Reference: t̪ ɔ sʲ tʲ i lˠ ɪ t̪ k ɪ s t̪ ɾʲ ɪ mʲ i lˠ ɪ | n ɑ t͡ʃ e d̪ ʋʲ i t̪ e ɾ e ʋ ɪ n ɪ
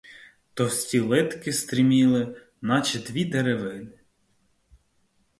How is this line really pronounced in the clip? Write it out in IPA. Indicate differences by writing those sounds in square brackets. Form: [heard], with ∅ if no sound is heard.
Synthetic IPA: t̪ ɔ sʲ tʲ i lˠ ɪ t̪ k ɪ s t̪ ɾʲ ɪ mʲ i lˠ ɪ | n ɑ t͡ʃ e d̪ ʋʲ i [d̪] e ɾ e ʋ ɪ n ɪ